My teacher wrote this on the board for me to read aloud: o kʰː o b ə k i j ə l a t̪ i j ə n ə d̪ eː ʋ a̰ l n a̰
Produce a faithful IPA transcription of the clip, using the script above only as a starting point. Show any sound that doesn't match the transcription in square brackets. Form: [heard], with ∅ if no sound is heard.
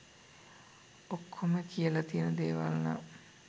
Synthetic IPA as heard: o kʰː o [m] ə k i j ə l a t̪ i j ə n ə d̪ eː ʋ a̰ l n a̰

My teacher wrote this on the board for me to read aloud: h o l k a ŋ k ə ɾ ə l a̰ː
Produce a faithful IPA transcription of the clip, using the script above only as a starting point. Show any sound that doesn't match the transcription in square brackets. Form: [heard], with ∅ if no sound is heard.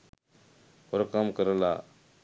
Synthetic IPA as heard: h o [ɾ] k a [m] k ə ɾ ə l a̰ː

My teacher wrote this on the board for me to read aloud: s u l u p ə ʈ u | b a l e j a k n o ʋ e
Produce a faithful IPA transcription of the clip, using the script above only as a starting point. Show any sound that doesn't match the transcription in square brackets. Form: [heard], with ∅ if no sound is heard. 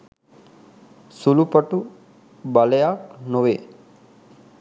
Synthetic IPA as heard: s u l u p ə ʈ u | b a l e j a k n o ʋ e

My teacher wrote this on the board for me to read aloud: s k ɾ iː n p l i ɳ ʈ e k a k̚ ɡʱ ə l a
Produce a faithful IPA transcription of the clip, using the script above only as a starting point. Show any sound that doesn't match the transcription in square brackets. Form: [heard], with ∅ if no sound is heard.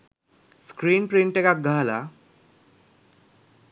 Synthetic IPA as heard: s k ɾ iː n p [ɾ] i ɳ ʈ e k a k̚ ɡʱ [a] l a

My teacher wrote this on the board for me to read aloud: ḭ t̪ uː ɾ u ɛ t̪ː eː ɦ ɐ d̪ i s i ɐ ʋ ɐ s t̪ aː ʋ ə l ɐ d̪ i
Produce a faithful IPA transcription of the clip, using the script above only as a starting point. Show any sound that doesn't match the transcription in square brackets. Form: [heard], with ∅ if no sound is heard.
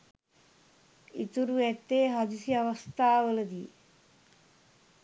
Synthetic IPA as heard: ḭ t̪ [u] ɾ u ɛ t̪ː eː ɦ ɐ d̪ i s i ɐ ʋ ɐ s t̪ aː ʋ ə l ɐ d̪ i

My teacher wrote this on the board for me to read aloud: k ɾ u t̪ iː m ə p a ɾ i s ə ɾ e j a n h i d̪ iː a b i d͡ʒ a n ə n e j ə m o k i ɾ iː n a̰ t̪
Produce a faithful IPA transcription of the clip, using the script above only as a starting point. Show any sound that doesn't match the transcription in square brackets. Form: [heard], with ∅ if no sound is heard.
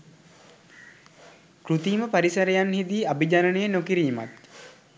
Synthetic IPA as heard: k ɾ u t̪ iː m ə p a ɾ i s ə ɾ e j a n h i d̪ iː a b i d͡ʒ a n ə n e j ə [n] o k i ɾ iː [m] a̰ t̪

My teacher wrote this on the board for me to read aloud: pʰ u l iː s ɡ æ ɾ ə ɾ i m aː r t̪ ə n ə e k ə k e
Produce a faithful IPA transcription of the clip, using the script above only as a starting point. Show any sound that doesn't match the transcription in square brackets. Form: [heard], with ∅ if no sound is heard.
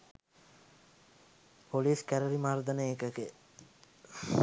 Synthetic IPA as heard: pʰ [o] l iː s [k] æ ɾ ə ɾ i m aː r [d̪] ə n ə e k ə k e

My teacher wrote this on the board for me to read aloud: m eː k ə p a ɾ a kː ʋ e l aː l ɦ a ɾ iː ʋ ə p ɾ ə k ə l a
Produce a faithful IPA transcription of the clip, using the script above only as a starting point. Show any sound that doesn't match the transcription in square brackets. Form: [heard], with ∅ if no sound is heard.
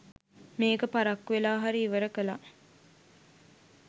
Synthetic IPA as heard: m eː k ə p a ɾ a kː ʋ e l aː [∅] ɦ a ɾ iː ʋ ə [∅] ɾ ə k ə l a

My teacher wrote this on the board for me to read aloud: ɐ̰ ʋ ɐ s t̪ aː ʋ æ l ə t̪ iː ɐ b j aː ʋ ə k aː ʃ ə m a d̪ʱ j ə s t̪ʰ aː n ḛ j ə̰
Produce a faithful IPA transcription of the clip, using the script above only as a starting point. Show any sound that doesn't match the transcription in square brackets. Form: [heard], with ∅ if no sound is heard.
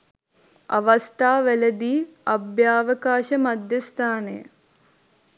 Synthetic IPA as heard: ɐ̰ ʋ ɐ s t̪ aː ʋ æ l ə [d̪] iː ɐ b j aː ʋ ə k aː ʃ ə m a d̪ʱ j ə s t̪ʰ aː n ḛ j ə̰

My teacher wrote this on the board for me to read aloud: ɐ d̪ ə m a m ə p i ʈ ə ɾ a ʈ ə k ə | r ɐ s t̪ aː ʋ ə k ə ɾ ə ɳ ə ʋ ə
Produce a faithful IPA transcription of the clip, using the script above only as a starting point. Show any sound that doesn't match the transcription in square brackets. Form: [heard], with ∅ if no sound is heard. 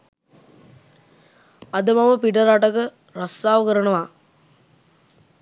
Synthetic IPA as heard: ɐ d̪ ə m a m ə p i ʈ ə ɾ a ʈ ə k ə | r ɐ s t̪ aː ʋ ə k ə ɾ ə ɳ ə ʋ [a]

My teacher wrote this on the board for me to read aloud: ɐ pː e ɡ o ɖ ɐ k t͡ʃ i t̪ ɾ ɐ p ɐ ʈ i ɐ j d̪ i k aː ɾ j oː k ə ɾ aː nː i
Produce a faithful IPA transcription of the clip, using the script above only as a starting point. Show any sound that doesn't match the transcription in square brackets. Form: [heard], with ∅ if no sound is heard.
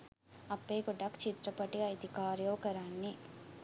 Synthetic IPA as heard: ɐ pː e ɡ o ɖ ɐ k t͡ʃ i t̪ ɾ ɐ p ɐ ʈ i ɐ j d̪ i k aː ɾ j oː k [ɐ] ɾ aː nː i

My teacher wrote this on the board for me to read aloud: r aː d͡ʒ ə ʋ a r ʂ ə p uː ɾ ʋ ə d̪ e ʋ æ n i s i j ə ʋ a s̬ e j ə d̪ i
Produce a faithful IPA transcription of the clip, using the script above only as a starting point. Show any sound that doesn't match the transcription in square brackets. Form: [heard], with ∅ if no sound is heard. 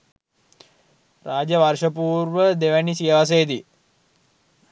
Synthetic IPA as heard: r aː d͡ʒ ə ʋ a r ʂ ə p uː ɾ ʋ ə d̪ e ʋ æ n i s i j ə ʋ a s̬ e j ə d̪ i

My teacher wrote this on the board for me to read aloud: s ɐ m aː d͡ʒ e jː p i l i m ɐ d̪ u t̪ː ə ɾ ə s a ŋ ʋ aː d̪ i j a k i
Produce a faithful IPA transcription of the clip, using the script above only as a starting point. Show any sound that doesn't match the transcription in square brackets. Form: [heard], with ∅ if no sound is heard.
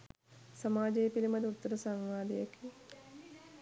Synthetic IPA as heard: s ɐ m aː d͡ʒ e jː p i l i m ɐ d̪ u t̪ː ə ɾ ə s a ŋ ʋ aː d̪ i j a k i

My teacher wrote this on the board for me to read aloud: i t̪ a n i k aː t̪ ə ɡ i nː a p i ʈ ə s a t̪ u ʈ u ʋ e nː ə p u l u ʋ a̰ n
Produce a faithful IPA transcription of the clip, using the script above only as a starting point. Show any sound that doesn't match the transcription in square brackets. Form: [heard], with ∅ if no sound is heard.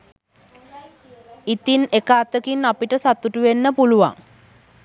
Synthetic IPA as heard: i t̪ [i] n [e] k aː t̪ ə [k] i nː a p i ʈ ə s a t̪ u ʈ u ʋ e nː ə p u l u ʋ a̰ [ŋ]

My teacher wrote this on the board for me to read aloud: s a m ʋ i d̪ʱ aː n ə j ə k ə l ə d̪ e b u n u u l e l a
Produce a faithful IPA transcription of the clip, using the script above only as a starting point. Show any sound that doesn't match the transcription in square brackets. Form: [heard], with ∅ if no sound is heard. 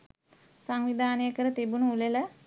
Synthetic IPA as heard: s a [ŋ] ʋ i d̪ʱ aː n ə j ə k ə [ɾ] ə [t̪] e b u n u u l e l [ə]

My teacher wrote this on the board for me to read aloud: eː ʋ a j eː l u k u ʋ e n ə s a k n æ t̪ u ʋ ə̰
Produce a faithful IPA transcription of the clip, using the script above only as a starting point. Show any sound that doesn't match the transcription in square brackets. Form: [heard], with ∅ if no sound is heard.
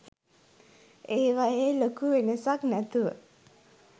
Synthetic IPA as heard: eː ʋ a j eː l [o] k u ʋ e n ə s a k n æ t̪ u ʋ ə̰

